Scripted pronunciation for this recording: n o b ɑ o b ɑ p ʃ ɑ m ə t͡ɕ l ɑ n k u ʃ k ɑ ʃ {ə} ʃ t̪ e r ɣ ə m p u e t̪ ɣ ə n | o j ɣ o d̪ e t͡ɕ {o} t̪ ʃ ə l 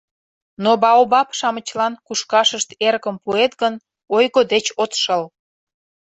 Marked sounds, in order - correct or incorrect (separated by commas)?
correct, correct